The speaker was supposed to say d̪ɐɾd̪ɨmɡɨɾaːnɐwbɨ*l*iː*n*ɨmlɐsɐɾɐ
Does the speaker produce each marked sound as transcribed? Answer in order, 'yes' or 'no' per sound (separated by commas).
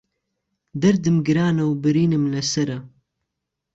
no, yes